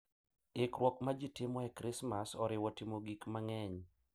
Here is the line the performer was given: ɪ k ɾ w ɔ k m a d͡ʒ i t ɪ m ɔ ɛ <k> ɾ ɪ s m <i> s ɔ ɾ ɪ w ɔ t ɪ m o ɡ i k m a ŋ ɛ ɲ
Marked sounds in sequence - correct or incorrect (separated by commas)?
correct, incorrect